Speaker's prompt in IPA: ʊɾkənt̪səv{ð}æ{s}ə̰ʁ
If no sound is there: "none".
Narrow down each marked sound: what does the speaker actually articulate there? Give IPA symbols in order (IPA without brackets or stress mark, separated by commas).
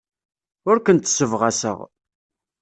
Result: ʁ, s